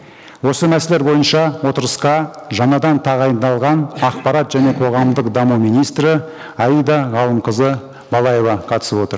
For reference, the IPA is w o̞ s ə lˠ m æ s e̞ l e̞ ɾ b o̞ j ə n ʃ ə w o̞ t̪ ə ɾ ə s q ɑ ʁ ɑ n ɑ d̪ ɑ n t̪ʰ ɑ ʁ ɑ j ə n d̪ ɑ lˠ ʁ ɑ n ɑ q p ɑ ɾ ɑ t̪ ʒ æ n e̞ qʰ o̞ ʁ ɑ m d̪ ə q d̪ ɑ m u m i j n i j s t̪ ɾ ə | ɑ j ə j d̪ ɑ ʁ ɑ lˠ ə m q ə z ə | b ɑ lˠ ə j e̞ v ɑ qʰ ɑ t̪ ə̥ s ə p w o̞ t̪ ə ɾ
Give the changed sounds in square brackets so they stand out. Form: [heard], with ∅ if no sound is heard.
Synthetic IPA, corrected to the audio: w o̞ s ə [∅] m æ s e̞ l e̞ ɾ b o̞ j ə n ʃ [ɑ] w o̞ t̪ ə ɾ ə s q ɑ [ʒ] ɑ n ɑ d̪ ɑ n t̪ʰ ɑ ʁ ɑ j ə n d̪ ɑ lˠ ʁ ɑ n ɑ q p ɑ ɾ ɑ t̪ ʒ æ n e̞ qʰ o̞ ʁ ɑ m d̪ ə q d̪ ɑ m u m i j n i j s t̪ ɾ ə | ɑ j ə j d̪ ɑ ʁ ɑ lˠ ə m q ə z ə | b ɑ lˠ [ɑ] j e̞ v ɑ qʰ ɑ t̪ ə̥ s ə p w o̞ t̪ ə ɾ

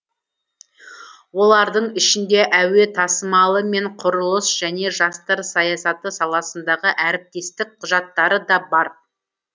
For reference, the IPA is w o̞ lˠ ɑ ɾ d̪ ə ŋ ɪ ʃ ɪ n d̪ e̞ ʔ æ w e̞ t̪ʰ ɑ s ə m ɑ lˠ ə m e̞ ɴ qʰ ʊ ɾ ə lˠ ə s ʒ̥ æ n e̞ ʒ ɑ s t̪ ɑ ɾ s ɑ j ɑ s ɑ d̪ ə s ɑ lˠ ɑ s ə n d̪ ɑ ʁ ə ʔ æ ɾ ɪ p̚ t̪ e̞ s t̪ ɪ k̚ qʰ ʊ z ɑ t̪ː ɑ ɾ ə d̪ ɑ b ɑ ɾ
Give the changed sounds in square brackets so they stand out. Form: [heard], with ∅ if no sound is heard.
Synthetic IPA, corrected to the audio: w o̞ lˠ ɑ ɾ d̪ ə [ɴ] ɪ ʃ ɪ n d̪ e̞ ʔ æ w e̞ t̪ʰ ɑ s ə m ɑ lˠ ə m e̞ ɴ qʰ ʊ ɾ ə lˠ ə s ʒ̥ æ n e̞ ʒ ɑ s t̪ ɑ ɾ s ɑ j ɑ s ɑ [t̪] ə s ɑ lˠ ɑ s ə n d̪ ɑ ʁ ə ʔ æ ɾ ɪ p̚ t̪ e̞ s t̪ ɪ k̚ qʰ ʊ [ʒ] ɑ t̪ː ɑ ɾ ə d̪ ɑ b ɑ ɾ

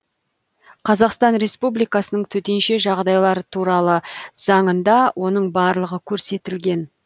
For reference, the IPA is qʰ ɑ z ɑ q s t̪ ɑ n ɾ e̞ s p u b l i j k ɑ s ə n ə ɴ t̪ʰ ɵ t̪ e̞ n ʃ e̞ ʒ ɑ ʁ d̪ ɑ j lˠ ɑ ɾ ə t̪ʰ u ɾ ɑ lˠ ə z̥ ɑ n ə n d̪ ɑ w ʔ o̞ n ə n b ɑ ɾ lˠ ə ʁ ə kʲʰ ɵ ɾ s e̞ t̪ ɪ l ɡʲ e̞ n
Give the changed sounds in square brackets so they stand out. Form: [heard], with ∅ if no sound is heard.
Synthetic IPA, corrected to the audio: qʰ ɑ z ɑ q s t̪ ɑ n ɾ e̞ s p u b l i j k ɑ s ə n ə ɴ t̪ʰ ɵ t̪ e̞ n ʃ e̞ ʒ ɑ ʁ d̪ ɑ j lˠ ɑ ɾ ə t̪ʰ u ɾ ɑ lˠ ə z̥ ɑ [ɴ] ə n d̪ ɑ w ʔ o̞ n ə [ɴ] b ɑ ɾ lˠ ə ʁ ə kʲʰ ɵ ɾ s e̞ t̪ ɪ l ɡʲ e̞ n

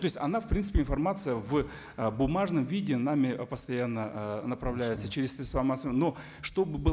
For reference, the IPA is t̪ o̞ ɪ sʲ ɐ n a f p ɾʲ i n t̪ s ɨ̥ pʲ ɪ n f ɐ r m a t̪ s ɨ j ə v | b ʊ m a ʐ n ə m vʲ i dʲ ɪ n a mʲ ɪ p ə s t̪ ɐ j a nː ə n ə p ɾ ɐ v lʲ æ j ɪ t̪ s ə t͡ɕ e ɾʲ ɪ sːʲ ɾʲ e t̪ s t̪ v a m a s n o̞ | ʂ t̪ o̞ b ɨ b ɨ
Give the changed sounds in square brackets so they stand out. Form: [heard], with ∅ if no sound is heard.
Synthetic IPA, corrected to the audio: t̪ o̞ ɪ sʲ ɐ n a f p ɾʲ i n t̪ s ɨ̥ pʲ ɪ n f ɐ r m a t̪ s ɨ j ə v | b ʊ m a ʐ n ə m vʲ i dʲ ɪ n a mʲ ɪ p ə s t̪ ɐ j a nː ə n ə p ɾ ɐ v lʲ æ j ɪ t̪ s ə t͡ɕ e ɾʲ ɪ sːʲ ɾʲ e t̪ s t̪ v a m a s n o̞ | ʂ t̪ o̞ b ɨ b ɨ

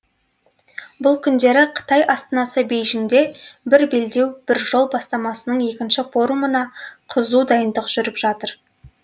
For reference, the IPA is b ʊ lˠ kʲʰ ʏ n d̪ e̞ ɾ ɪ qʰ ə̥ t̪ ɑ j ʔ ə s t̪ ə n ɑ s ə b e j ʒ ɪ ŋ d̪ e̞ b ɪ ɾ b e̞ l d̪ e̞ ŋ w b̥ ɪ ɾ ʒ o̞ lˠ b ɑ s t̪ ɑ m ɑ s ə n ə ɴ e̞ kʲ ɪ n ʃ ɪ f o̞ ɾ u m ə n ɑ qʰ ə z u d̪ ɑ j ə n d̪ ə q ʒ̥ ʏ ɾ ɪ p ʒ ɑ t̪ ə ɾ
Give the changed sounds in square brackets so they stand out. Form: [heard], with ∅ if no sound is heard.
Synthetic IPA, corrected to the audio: b ʊ lˠ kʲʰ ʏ n d̪ e̞ ɾ ɪ qʰ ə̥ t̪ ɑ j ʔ [ɑ] s t̪ ə n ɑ s ə b e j ʒ ɪ ŋ d̪ e̞ b ɪ ɾ b e̞ l d̪ e̞ [∅] w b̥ ɪ ɾ ʒ o̞ lˠ b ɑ s t̪ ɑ m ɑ s ə n ə ɴ e̞ kʲ ɪ n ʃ ɪ f o̞ ɾ u m ə n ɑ qʰ ə z u d̪ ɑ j ə n d̪ ə q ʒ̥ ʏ ɾ ɪ p ʒ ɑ t̪ ə ɾ

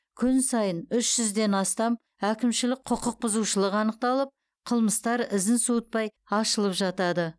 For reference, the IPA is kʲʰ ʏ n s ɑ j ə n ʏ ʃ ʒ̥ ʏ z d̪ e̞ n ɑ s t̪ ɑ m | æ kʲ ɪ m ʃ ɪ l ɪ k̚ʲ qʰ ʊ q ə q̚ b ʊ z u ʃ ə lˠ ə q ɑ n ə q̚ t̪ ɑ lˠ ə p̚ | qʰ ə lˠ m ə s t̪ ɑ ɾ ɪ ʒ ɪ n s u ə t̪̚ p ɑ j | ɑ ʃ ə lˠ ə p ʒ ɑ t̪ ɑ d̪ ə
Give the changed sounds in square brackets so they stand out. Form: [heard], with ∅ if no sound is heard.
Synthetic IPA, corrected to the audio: kʲʰ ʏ n s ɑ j ə n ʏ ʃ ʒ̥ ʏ z d̪ e̞ n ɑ s t̪ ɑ m | æ kʲ ɪ m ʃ ɪ l ɪ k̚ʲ qʰ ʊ q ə q̚ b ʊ z u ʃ ə lˠ ə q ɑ n ə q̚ t̪ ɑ lˠ ə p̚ | qʰ ə lˠ m ə s t̪ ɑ ɾ ɪ [z] ɪ n s u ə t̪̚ p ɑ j | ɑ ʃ ə lˠ ə p ʒ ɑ t̪ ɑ d̪ ə

